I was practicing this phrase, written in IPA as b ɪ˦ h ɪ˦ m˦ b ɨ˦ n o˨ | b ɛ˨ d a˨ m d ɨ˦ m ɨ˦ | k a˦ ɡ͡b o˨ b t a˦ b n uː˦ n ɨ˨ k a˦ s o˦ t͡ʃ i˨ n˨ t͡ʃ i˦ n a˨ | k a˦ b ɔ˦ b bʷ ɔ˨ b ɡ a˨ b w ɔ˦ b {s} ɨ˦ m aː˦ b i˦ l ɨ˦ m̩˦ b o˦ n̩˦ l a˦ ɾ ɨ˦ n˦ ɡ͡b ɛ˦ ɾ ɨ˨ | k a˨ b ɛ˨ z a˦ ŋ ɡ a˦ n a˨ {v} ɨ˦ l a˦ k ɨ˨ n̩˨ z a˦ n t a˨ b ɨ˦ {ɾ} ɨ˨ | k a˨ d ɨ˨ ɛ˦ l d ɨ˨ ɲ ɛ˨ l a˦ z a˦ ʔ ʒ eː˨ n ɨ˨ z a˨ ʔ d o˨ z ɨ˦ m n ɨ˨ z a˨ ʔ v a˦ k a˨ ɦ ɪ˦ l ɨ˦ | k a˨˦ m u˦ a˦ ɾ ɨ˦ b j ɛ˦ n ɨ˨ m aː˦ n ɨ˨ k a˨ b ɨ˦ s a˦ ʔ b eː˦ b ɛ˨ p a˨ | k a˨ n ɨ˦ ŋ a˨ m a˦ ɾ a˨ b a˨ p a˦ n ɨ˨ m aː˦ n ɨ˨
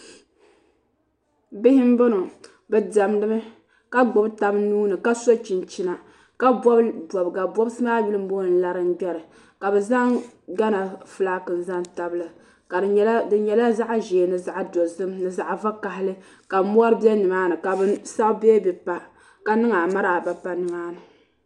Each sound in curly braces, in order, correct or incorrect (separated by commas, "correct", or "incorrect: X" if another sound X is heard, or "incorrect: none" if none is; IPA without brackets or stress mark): correct, incorrect: f, incorrect: l